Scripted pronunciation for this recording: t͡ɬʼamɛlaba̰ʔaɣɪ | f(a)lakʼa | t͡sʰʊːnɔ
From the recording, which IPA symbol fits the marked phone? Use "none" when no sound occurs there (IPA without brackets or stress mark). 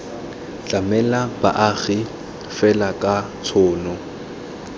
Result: ɛ